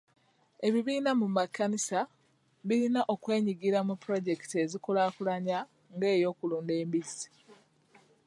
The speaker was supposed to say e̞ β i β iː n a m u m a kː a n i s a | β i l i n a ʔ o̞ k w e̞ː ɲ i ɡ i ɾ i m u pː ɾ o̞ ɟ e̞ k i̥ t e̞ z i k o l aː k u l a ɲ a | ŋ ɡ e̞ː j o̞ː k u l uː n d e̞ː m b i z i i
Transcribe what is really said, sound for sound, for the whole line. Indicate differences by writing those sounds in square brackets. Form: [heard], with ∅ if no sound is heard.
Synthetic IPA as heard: e̞ β i β iː n a m u m a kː a n i s a | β i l i n a ʔ o̞ k w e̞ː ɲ i ɡ i ɾ [a] m u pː ɾ o̞ ɟ e̞ k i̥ t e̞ z i k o l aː k u l a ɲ a | ŋ ɡ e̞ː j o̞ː k u l uː n d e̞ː m b i z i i